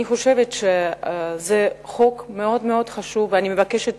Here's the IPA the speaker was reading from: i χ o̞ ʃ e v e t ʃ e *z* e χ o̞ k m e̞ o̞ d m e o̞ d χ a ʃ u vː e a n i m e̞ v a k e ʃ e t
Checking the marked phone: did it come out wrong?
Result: no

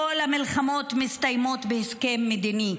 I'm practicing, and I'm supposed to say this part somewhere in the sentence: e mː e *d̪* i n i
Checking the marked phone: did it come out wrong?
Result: no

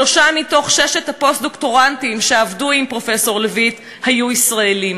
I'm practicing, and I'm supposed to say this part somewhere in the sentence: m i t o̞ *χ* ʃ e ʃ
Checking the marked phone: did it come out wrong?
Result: no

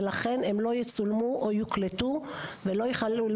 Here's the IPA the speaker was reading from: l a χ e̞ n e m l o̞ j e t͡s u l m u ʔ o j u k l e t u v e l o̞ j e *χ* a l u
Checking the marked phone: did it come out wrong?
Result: no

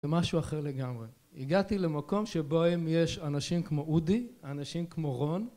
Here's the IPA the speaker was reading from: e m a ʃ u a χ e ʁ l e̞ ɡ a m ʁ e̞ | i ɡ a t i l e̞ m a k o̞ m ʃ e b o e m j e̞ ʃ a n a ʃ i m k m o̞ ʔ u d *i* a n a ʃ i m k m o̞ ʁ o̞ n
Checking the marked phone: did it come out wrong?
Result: no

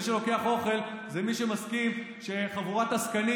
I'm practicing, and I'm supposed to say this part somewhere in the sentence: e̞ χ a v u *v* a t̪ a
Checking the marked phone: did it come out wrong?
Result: yes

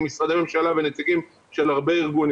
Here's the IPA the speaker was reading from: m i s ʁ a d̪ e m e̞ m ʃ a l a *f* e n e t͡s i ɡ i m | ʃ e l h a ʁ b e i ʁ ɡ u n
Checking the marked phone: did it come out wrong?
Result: yes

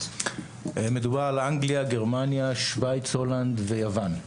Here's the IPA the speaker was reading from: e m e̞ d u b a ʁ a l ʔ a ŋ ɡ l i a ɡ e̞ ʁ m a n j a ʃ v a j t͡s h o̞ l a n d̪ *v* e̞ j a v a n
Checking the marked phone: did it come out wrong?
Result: no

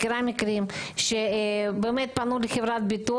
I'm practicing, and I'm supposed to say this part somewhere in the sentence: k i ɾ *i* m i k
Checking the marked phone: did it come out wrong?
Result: yes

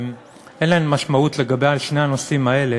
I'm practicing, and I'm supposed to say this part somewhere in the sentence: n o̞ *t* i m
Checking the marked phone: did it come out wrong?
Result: yes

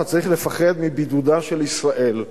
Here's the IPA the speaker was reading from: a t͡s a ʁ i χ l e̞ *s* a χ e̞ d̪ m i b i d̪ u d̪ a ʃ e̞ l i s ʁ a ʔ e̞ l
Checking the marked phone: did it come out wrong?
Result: yes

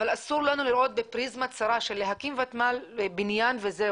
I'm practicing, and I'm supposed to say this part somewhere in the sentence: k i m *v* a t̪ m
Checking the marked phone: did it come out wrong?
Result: no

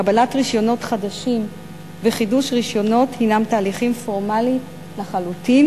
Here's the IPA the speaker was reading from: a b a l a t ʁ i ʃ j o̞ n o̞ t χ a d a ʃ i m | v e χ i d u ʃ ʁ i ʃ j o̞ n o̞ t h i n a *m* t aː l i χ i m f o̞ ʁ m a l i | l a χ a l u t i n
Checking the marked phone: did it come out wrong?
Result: no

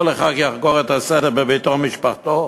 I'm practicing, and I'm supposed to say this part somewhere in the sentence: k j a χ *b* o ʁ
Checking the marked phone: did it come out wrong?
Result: yes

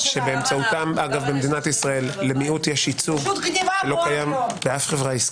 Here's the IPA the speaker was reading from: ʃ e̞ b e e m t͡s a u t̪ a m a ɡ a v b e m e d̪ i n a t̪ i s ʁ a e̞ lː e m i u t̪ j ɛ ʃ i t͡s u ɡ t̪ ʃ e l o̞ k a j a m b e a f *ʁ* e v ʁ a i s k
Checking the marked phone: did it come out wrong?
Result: yes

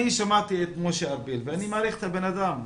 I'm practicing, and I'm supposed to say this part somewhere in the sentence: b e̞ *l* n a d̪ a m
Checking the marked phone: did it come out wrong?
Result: yes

